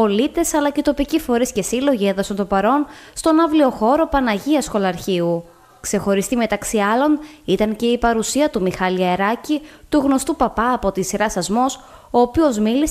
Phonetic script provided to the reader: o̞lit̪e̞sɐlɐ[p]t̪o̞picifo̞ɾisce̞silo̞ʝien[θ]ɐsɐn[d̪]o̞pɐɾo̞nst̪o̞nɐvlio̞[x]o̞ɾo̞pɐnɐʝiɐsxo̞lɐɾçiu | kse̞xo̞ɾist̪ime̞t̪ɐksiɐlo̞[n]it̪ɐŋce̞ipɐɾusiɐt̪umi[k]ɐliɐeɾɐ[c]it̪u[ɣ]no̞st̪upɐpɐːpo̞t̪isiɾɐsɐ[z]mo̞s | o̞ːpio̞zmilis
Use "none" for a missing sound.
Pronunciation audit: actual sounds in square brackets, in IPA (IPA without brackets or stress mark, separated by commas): c, ð, t̪, x, n, x, c, ɣ, z